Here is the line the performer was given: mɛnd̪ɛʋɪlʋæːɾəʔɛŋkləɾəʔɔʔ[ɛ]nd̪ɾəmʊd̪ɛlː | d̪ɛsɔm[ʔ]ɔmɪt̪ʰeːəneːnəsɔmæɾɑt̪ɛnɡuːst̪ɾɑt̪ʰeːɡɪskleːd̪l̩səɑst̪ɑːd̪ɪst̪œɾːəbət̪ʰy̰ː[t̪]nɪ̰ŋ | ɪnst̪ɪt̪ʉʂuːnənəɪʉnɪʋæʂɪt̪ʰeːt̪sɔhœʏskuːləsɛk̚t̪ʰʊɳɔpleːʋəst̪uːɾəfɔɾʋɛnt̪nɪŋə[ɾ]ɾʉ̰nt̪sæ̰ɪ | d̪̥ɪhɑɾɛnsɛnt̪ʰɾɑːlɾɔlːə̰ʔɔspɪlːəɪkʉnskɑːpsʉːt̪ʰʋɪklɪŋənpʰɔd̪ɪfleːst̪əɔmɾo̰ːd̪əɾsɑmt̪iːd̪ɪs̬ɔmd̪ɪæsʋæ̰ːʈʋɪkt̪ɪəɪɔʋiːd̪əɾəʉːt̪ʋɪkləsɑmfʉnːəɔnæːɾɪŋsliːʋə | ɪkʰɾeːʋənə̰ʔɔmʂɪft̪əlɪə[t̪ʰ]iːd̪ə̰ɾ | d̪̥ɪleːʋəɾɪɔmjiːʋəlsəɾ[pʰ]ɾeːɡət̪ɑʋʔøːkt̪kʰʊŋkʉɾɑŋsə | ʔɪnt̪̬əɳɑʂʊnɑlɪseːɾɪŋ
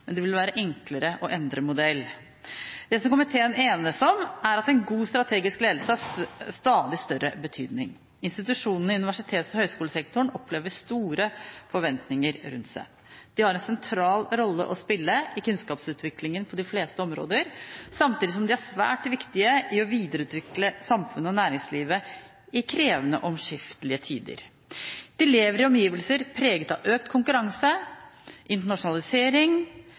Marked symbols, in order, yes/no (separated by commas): yes, no, no, yes, yes, yes